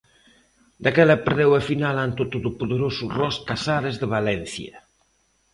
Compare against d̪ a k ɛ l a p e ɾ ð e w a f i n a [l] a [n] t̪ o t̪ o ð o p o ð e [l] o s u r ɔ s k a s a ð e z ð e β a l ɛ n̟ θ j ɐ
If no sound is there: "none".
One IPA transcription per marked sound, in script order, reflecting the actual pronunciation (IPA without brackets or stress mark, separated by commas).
l, n, ɾ